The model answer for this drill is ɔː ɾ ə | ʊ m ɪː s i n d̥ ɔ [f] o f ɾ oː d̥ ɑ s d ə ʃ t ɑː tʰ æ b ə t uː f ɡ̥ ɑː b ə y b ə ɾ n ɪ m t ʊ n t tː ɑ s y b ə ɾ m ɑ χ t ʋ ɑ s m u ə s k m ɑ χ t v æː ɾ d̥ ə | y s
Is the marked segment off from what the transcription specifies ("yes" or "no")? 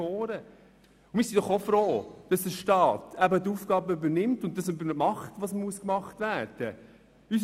yes